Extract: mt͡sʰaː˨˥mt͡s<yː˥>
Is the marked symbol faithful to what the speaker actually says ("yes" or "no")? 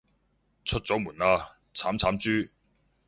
yes